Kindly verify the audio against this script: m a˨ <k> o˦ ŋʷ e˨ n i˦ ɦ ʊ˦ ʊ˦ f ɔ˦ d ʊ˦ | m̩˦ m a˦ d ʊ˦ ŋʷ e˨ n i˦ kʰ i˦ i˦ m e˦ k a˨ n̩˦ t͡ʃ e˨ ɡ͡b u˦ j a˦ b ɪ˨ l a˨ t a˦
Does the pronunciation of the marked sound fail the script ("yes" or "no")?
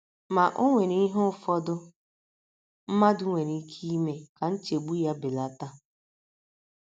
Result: yes